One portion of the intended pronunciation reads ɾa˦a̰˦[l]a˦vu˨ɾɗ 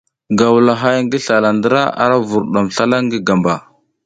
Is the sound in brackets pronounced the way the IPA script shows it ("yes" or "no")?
no